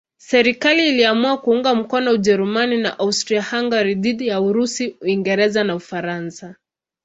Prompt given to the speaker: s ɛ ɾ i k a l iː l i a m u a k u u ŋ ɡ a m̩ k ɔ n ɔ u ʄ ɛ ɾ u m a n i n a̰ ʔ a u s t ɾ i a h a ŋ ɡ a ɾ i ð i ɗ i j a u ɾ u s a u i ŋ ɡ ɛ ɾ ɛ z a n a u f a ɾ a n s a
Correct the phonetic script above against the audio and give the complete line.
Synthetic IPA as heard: s ɛ ɾ i k a l iː l i a m u a k u u ŋ ɡ a m̩ k ɔ n ɔ u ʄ ɛ ɾ u m a n i n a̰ ʔ a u s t ɾ i a h a ŋ ɡ a ɾ i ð i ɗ i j a u ɾ u s i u i ŋ ɡ ɛ ɾ ɛ z a n a u f a ɾ a n s a

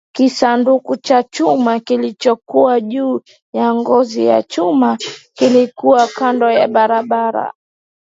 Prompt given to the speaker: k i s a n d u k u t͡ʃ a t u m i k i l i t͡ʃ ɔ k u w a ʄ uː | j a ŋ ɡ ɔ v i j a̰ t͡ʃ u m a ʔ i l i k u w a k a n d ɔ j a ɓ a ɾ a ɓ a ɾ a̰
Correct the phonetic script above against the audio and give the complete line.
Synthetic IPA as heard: k i s a n d u k u t͡ʃ a t͡ʃ u m a k i l i t͡ʃ ɔ k u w a ʄ uː | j a ŋ ɡ ɔ z i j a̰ t͡ʃ u m a k i l i k u w a k a n d ɔ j a ɓ a ɾ a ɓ a ɾ a̰

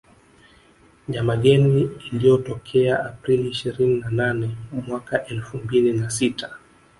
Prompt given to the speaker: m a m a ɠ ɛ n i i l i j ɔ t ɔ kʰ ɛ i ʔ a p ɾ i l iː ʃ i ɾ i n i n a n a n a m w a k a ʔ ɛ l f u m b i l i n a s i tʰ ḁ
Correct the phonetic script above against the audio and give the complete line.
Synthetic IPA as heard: ɲ a m a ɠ ɛ n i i l i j ɔ t ɔ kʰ ɛ a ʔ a p ɾ i l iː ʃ i ɾ i n i n a n a n ɛ m w a k a ʔ ɛ l f u m b i l i n a s i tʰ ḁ

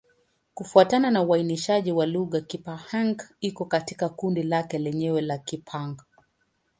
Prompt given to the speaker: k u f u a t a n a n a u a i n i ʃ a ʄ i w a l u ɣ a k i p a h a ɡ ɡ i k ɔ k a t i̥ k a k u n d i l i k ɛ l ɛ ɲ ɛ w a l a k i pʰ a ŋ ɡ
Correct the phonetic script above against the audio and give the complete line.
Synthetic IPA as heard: k u f u a t a n a n a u a i n i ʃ a ʄ i w a l u ɣ a k i p a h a ŋ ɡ i k ɔ k a t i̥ k a k u n d i l a k ɛ l ɛ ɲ ɛ w ɛ l a k i pʰ a ŋ ɡ

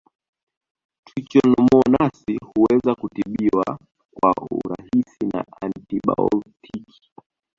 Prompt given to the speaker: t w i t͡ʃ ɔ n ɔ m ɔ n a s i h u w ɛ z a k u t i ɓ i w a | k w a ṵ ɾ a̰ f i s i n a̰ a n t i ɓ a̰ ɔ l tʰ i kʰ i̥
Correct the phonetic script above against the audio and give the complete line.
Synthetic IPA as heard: t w i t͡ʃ ɔ n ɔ m ɔ n a s i h u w ɛ z a k u t i ɓ i w a | k w a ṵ ɾ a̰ h i s i n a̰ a n t i ɓ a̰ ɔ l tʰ i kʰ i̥

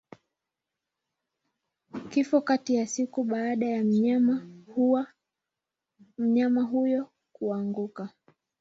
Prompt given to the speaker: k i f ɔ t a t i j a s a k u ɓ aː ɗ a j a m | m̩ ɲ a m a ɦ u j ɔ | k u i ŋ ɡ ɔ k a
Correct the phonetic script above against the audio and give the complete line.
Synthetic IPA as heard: k i f ɔ k a t i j a s i k u ɓ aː ɗ a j a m | m̩ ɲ a m a ɦ u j ɔ | k u a ŋ ɡ u k a

